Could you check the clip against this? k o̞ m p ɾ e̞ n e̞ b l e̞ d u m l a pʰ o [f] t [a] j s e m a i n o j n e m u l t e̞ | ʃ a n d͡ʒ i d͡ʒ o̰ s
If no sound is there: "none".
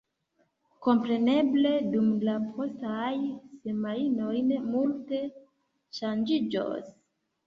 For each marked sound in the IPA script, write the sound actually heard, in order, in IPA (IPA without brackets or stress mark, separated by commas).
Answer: s, a